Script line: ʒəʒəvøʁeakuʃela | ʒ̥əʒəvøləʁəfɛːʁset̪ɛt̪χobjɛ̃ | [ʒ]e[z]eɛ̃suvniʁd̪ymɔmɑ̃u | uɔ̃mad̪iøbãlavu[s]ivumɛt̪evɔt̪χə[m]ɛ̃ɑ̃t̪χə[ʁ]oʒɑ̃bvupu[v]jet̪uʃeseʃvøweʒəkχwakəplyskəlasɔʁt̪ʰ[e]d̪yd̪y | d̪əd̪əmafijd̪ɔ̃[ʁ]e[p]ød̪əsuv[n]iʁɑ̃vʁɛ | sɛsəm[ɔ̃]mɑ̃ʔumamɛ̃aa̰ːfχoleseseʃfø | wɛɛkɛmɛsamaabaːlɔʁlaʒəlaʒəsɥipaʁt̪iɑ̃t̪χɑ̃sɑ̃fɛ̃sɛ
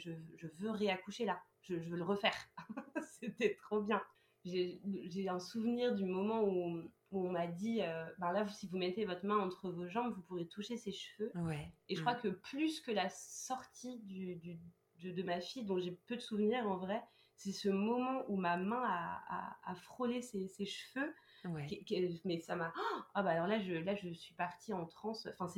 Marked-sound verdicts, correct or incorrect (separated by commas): correct, incorrect, correct, correct, incorrect, incorrect, incorrect, incorrect, correct, correct, incorrect